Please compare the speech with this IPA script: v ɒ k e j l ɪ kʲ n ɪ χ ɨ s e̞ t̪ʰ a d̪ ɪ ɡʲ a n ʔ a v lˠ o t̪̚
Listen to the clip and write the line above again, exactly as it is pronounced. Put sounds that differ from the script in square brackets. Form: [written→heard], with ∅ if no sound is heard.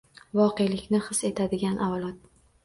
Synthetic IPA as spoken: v ɒ [k→q] e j l ɪ kʲ n ɪ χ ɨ s e̞ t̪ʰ a d̪ ɪ ɡʲ a n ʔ a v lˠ [o→ɒ] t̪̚